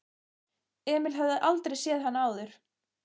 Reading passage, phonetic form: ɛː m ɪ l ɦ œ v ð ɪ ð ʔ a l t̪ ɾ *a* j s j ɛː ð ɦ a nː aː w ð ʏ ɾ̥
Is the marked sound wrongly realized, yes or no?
yes